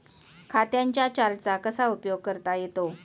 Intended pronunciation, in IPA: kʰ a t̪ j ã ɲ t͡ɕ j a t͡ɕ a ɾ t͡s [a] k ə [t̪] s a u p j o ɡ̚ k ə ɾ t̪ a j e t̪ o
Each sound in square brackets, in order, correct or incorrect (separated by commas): correct, incorrect